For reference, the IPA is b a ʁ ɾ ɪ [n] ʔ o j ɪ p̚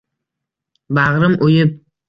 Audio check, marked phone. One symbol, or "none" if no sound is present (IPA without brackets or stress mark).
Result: m